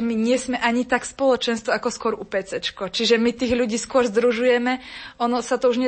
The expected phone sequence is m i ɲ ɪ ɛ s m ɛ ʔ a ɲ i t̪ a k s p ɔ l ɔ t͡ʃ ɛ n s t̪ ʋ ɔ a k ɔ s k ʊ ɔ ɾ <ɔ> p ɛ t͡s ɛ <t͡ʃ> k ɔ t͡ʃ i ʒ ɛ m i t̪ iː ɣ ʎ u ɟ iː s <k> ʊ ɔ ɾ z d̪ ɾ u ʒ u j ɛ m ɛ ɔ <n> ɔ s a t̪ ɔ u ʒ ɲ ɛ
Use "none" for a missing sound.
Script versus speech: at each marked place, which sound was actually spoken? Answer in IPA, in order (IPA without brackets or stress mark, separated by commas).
u, t͡ʃ, k, n